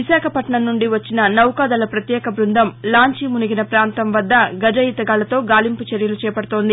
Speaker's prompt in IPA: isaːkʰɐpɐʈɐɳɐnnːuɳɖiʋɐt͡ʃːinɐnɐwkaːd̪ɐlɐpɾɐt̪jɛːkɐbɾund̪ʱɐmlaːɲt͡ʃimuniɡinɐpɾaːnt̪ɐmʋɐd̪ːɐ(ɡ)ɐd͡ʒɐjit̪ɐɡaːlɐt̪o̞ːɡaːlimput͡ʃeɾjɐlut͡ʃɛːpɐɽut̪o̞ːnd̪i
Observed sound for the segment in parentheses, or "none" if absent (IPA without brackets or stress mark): ɡ